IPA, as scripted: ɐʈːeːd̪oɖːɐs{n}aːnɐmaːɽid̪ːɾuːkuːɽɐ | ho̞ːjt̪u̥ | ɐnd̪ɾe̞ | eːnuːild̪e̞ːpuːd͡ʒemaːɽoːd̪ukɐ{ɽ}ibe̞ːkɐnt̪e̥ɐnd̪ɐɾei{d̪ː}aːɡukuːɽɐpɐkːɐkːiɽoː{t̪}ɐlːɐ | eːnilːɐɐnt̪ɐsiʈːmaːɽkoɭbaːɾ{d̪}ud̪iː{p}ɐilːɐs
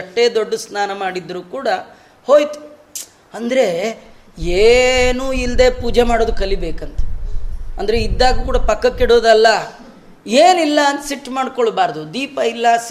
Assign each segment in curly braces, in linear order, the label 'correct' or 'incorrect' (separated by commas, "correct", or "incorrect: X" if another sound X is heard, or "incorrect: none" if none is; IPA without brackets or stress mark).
correct, incorrect: l, correct, incorrect: d̪, correct, correct